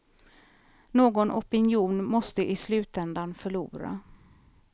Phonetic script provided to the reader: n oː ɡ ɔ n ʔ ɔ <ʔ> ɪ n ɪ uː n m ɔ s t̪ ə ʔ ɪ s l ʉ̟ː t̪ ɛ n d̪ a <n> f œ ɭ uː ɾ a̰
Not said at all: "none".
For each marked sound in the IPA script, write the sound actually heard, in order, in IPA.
p, n

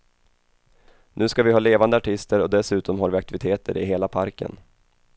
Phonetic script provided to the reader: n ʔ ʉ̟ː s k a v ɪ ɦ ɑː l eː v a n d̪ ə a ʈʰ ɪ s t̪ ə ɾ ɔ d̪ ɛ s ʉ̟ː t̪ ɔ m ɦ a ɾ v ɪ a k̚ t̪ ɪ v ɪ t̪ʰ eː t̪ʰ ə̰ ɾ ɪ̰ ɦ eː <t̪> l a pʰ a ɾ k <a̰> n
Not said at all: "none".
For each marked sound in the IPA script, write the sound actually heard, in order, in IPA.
none, ə̰

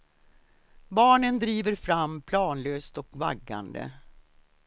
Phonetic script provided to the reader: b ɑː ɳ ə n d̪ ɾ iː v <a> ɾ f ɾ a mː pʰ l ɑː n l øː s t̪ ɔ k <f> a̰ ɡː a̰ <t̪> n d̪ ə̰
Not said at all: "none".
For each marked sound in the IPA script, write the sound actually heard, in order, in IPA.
ə, v, none

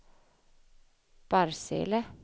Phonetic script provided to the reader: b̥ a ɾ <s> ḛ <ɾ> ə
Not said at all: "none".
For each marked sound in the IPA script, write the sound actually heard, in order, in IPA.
s, l

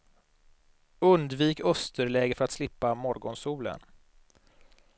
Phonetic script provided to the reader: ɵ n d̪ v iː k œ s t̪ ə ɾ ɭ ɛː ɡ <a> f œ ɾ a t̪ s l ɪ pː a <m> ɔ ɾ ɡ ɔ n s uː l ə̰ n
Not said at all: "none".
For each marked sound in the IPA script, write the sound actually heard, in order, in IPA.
ə, m

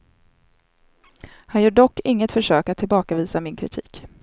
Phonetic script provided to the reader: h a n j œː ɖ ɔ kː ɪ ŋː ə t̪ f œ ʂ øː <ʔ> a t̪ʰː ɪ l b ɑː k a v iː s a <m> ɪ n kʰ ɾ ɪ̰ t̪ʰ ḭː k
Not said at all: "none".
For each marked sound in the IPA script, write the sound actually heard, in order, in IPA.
k, m

